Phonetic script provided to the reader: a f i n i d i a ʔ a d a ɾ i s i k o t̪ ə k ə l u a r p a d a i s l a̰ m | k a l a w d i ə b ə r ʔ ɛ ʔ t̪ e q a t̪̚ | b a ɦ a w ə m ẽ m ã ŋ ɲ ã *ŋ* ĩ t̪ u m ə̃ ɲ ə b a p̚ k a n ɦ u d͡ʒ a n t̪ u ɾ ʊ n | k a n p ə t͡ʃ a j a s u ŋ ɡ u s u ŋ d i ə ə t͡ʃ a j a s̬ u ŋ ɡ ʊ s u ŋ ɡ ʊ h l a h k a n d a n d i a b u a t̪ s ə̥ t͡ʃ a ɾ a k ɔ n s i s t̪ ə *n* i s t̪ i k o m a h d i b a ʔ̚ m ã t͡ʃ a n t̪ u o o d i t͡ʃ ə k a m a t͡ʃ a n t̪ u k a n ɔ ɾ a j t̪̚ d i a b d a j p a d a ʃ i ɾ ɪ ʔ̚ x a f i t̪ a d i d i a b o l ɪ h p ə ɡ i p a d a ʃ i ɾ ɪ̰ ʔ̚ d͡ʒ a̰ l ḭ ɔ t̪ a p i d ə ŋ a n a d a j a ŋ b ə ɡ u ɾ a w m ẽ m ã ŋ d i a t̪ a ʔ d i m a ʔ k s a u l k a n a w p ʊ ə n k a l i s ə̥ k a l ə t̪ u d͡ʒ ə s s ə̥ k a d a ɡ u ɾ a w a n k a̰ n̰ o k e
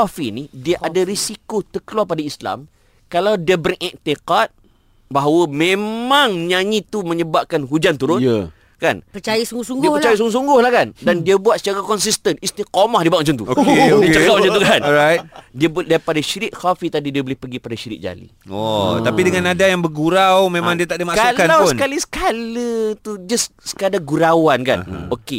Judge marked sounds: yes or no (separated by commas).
no, yes